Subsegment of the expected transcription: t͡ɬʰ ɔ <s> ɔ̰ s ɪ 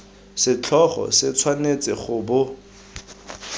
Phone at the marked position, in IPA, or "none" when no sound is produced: χ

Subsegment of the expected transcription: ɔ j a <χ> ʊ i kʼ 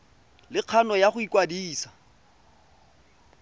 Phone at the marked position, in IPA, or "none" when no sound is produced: χ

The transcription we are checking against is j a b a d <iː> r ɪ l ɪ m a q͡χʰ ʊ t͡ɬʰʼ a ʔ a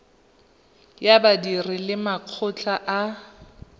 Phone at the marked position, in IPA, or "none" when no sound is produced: i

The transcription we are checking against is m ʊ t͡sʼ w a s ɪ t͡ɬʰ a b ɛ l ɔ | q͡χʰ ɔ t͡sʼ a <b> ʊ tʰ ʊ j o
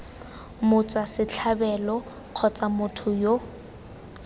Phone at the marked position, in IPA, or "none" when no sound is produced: m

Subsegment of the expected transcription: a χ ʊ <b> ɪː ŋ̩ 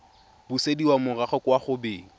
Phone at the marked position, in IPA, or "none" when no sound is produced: b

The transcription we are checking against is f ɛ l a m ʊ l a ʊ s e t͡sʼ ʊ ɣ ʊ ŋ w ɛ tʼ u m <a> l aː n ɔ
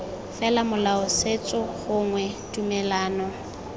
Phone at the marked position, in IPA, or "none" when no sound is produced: ɛ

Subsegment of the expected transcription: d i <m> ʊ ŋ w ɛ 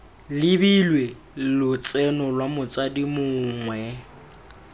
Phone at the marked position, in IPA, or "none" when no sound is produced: m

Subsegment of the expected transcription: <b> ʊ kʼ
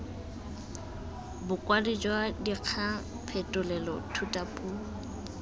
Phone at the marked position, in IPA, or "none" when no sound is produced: b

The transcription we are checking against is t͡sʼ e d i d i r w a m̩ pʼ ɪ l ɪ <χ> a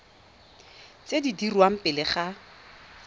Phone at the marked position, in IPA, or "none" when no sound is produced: χ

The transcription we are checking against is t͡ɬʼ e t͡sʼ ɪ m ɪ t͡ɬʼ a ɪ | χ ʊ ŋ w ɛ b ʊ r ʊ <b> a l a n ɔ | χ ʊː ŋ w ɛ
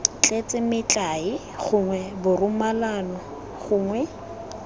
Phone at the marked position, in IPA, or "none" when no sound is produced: m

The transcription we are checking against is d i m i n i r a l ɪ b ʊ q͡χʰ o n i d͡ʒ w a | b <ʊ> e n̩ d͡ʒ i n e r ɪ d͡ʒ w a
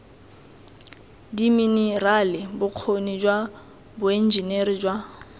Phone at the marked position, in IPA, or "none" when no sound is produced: ʊ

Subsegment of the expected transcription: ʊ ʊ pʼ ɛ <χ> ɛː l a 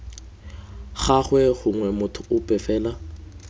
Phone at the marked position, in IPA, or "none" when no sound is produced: f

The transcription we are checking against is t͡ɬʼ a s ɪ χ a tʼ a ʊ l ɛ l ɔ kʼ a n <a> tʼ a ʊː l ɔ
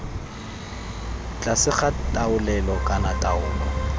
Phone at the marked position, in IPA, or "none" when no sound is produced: a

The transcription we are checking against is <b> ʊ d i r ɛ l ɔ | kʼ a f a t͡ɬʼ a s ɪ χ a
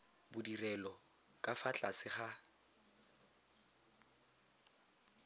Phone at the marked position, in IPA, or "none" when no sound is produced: b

